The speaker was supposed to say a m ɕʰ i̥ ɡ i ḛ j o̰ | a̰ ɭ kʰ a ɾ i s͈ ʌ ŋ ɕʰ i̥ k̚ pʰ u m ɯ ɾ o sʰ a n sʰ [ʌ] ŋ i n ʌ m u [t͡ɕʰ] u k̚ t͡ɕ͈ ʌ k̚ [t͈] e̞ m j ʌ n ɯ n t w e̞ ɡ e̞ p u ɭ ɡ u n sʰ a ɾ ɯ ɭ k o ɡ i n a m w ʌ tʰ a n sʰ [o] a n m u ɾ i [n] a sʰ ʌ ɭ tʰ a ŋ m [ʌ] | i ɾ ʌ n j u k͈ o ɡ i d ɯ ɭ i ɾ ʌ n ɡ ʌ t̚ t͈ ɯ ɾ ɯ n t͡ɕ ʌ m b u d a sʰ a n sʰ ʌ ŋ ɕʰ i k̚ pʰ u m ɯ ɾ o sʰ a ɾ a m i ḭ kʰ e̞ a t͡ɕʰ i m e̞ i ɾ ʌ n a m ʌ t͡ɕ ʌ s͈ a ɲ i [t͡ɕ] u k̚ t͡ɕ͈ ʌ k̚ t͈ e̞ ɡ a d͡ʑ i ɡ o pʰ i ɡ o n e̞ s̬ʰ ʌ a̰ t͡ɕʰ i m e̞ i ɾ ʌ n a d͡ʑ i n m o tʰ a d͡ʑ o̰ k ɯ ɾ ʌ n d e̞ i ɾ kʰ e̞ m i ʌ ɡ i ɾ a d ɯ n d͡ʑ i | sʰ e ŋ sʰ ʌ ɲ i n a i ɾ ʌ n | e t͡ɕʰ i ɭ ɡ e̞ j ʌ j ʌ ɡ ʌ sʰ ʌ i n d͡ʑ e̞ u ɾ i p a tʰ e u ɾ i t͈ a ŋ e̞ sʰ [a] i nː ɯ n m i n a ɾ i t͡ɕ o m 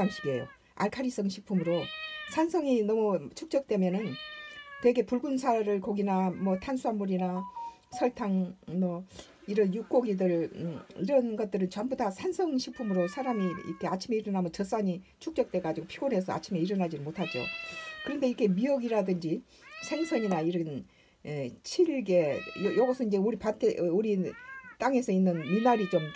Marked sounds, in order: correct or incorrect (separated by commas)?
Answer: correct, correct, correct, incorrect, correct, correct, incorrect, incorrect